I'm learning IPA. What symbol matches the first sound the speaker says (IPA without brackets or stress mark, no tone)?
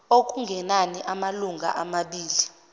o